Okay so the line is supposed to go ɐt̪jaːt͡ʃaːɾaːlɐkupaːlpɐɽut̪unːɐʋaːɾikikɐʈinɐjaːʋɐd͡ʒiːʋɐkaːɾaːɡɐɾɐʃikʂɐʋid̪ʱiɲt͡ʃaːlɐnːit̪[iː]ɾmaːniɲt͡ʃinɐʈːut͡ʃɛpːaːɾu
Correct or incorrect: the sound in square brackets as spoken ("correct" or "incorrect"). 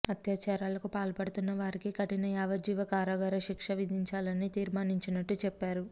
correct